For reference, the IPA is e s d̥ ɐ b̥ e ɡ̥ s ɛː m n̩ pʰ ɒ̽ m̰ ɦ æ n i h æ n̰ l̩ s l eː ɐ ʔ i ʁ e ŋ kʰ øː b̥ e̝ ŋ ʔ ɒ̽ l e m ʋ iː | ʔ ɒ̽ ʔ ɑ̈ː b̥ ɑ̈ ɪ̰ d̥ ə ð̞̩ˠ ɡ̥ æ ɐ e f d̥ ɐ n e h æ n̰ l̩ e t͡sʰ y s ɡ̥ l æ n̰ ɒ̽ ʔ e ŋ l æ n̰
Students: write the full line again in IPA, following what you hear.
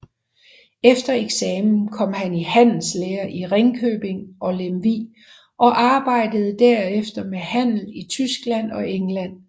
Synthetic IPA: e f d̥ ɐ e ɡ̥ s ɛː m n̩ kʰ ɒ̽ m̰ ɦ æ n i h æ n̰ l̩ s l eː ɐ ʔ i ʁ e ŋ kʰ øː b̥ e̝ ŋ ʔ ɒ̽ l e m ʋ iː | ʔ ɒ̽ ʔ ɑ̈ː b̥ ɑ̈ ɪ̰ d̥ ə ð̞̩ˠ d̥ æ ɐ e f d̥ ɐ m e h æ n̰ l̩ i t͡sʰ y s ɡ̥ l æ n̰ ɒ̽ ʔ e ŋ l æ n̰